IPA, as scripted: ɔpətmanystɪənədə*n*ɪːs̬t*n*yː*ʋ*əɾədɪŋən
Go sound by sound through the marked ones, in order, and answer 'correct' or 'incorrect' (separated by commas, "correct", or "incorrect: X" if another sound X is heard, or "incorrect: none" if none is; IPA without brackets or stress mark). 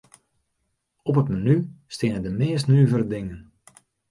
incorrect: m, correct, incorrect: v